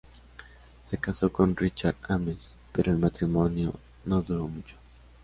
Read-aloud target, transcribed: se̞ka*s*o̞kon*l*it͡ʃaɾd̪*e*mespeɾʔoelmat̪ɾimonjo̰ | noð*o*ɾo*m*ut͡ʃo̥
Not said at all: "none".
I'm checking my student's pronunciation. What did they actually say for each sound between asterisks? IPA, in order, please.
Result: s, r, a, u, m

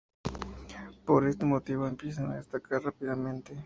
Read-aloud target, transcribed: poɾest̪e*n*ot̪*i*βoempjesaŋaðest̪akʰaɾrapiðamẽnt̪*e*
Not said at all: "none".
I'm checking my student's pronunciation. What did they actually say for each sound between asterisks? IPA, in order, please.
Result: m, i, e

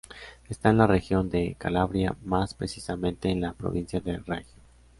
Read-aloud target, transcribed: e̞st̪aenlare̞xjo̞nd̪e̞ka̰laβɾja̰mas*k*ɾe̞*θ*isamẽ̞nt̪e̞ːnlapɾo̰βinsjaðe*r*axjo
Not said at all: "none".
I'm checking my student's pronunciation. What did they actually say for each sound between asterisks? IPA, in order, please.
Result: p, s, r

